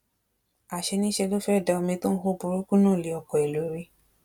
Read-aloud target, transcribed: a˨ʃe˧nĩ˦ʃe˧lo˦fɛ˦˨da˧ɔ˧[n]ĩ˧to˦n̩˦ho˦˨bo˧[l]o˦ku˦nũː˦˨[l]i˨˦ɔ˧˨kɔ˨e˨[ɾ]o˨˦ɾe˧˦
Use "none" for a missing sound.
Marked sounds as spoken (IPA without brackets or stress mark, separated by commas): m, ɾ, l, l